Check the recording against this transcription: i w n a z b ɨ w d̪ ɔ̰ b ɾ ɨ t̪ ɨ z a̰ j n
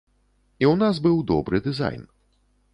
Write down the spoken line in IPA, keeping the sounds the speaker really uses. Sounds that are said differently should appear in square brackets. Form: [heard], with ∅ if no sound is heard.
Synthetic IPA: i w n a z b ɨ w d̪ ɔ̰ b ɾ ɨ [d̪] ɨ z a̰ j n